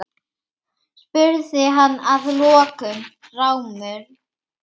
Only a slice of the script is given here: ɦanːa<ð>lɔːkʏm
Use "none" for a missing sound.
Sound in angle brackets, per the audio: ð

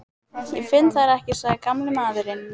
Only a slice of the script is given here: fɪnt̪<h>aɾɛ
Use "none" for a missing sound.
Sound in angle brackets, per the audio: θ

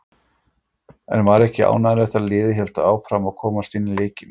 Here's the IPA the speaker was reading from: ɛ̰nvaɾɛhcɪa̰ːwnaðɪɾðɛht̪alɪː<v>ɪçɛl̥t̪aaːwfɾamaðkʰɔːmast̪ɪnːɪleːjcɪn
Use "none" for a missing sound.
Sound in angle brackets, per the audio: ð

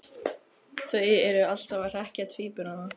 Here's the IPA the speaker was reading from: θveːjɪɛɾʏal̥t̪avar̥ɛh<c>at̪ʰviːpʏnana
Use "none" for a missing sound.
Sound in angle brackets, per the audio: c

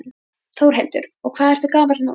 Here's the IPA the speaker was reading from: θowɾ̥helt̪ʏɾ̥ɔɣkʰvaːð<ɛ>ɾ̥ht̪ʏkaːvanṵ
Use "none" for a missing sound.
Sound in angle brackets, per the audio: ɛ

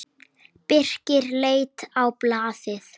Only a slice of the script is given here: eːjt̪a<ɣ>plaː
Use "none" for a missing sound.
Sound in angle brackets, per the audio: w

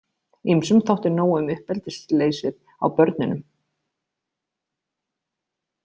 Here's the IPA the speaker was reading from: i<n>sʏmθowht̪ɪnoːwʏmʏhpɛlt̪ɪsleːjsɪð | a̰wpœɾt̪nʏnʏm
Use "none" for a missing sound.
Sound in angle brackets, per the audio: m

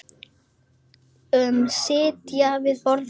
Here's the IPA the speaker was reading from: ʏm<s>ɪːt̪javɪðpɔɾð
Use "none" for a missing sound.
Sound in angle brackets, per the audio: s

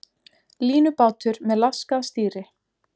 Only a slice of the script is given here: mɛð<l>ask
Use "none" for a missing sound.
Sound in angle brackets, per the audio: l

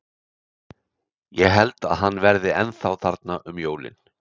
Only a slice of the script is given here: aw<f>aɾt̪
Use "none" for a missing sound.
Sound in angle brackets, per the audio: θ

